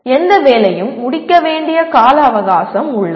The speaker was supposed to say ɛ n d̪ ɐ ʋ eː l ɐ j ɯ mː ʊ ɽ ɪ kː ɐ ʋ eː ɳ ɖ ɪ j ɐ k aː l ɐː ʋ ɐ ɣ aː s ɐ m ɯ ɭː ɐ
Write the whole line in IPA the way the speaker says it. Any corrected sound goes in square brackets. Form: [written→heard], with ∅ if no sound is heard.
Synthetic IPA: ɛ n d̪ ɐ ʋ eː l ɐ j ɯ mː ʊ ɽ ɪ kː ɐ ʋ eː ɳ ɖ ɪ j ɐ k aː l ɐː ʋ ɐ ɣ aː s ɐ m [ɯ→ʊ] ɭː ɐ